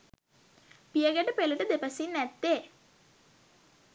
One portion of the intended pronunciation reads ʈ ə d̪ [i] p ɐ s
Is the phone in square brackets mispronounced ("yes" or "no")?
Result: yes